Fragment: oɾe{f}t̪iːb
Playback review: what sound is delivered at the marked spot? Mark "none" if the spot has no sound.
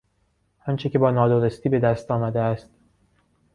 s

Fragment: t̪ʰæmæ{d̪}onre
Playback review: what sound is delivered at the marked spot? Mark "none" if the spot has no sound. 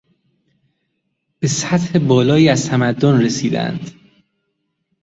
d̪ː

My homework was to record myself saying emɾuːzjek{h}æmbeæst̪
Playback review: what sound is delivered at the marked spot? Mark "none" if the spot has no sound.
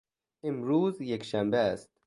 ʃ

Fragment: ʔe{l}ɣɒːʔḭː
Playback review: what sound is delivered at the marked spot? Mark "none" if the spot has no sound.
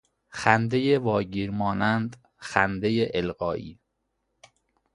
l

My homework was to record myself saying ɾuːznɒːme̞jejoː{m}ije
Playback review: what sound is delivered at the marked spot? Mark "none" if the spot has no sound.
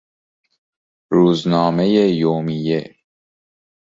m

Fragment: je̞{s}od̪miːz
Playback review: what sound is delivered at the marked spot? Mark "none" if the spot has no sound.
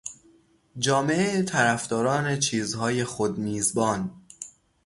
x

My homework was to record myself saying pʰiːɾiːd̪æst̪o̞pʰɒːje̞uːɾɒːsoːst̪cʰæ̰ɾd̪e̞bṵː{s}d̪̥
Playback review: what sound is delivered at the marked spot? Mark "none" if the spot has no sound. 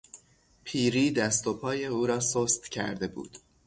none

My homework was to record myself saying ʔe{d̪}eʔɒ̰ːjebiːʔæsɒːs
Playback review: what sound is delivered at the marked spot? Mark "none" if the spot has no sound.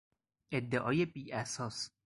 d̪ː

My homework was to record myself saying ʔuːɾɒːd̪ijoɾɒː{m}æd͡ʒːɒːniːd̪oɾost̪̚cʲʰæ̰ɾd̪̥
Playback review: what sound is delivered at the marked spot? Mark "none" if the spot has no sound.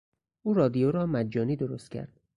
m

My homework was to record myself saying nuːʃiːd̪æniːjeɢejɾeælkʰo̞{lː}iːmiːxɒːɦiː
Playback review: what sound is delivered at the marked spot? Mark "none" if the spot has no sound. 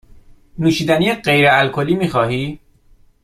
l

